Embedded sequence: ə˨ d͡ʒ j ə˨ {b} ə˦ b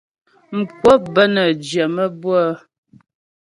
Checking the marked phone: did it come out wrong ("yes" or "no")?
yes